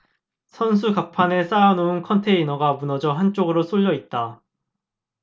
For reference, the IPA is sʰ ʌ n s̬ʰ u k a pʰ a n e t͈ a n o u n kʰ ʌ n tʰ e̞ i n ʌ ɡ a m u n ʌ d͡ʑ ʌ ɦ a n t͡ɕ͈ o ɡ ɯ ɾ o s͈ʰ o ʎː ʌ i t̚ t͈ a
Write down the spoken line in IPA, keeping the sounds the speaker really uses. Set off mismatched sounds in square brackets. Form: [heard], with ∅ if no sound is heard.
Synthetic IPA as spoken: sʰ ʌ n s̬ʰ u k a pʰ a n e [s͈] a n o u n kʰ ʌ n tʰ e̞ i n ʌ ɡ a m u n ʌ d͡ʑ ʌ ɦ a n t͡ɕ͈ o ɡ ɯ ɾ o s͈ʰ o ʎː ʌ i t̚ t͈ a